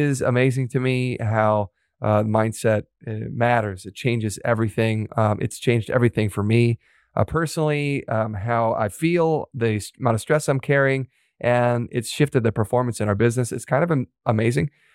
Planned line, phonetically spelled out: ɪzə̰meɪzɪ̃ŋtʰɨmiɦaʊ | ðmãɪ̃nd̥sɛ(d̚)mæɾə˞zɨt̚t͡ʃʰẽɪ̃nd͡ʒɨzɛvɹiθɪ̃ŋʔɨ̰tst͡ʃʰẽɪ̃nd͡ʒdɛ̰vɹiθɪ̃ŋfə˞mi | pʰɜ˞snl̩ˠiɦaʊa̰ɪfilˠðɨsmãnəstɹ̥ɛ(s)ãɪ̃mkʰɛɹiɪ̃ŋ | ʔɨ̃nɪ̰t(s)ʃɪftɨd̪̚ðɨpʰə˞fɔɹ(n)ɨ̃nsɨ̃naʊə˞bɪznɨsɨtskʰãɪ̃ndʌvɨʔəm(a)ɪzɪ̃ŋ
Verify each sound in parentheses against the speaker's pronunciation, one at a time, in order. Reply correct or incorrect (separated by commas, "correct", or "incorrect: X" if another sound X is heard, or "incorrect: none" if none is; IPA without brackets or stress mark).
incorrect: t̚, correct, correct, incorrect: m, incorrect: e